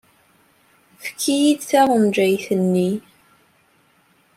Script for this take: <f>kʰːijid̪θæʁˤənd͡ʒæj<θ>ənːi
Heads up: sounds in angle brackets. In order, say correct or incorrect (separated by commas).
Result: correct, correct